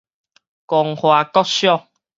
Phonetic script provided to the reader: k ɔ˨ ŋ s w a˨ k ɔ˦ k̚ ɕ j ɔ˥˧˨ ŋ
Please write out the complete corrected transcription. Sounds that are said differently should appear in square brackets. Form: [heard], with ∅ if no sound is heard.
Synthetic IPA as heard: k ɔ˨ ŋ [h] w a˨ k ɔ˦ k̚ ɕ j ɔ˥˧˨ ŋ